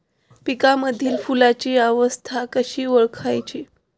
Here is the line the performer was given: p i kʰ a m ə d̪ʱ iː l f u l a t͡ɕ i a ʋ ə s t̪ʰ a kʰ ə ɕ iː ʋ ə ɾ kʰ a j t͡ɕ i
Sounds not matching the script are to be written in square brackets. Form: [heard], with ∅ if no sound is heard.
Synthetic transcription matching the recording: p i [k] a m ə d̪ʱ iː l f u l a t͡ɕ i a ʋ ə s t̪ʰ a [k] ə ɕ iː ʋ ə [ɭ] kʰ a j t͡ɕ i

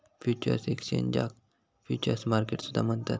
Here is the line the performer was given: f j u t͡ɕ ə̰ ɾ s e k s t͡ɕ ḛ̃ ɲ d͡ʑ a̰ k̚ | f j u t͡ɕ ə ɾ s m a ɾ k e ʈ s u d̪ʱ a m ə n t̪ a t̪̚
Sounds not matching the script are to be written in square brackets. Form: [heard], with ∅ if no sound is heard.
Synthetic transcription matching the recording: f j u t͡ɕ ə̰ ɾ s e k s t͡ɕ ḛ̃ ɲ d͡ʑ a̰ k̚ | f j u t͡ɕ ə ɾ s m a ɾ k e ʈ s u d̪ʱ a m ə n t̪ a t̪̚

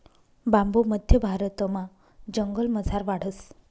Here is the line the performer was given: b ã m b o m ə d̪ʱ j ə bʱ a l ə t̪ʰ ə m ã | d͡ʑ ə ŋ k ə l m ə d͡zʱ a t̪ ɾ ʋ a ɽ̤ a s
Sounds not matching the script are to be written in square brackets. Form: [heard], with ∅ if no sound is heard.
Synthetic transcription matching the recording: b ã m b o m ə d̪ʱ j ə bʱ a [ɾ] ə [t̪] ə m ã | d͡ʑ ə ŋ [ɡ] ə l m ə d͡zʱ a [∅] ɾ ʋ a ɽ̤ [ə] s

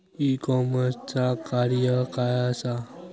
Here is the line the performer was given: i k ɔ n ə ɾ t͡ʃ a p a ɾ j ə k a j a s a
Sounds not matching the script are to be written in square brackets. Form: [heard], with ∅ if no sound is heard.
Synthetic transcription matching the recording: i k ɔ [m] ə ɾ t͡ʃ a [k] a ɾ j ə k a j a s a

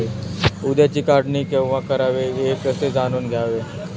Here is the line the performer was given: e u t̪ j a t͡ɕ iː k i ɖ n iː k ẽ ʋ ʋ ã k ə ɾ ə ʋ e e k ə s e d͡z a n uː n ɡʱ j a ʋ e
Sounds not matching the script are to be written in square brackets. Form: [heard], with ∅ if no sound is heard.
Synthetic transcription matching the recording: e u [d̪] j a t͡ɕ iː k [a] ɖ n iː k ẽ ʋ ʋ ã k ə ɾ [a] ʋ e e k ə s e d͡z a n uː n ɡʱ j a ʋ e

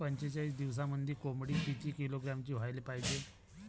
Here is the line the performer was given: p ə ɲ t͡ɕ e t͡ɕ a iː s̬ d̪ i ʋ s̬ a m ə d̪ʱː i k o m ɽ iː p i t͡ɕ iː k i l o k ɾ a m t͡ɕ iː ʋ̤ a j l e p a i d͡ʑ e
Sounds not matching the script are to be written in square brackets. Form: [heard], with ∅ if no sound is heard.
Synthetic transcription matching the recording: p ə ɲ t͡ɕ e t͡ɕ a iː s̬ d̪ i ʋ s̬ a m ə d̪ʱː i k o m ɽ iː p i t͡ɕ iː k i l o [ɡ] ɾ a m t͡ɕ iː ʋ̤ a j l e p a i d͡ʑ e

